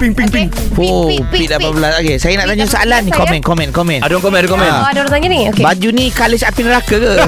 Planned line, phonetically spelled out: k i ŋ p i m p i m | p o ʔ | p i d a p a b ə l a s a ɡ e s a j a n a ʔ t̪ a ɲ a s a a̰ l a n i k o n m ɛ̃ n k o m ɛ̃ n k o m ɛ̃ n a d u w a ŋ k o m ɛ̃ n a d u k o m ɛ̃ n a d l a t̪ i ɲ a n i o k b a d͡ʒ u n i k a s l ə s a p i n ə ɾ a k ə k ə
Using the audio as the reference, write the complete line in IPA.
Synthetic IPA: p i ŋ p i ŋ p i ŋ | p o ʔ | p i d a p a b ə l a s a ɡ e s a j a n a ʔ t̪ a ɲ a s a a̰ l a n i k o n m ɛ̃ n k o m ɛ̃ n k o m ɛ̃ n a d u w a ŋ k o m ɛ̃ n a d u k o m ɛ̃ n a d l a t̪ a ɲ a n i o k b a d͡ʒ u n i k a l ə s a p i n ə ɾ a k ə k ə